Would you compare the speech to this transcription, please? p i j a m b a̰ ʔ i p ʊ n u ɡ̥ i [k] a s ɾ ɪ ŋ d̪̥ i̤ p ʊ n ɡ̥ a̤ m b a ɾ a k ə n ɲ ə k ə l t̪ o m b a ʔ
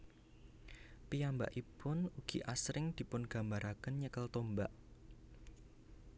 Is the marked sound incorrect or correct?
incorrect